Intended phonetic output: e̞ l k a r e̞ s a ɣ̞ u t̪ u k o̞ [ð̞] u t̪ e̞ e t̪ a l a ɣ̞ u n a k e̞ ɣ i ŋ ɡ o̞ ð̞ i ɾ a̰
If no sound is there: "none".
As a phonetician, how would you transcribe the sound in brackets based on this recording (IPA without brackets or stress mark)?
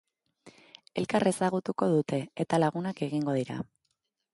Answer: ð̞